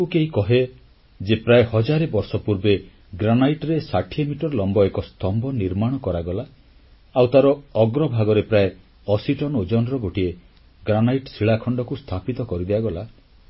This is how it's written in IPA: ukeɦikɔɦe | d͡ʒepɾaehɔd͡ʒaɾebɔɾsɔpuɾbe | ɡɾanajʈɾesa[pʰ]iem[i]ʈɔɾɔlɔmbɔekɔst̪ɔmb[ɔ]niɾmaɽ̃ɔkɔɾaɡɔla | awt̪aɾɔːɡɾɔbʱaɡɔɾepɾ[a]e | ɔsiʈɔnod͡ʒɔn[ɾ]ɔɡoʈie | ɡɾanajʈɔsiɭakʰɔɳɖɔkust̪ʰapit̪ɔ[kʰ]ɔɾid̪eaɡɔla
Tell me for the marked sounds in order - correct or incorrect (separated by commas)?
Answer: incorrect, correct, correct, correct, correct, incorrect